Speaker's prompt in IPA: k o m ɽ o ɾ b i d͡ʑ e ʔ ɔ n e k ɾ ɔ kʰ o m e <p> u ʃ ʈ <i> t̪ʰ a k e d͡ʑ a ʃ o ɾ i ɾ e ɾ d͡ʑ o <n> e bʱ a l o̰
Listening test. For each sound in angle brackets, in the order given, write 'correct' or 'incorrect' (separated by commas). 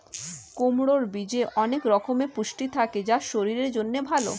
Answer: correct, correct, incorrect